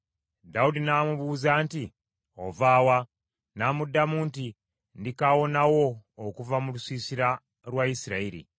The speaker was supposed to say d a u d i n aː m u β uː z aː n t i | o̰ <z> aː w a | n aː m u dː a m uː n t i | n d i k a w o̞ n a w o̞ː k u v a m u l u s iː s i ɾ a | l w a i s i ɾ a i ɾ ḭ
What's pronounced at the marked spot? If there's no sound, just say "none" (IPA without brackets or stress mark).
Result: v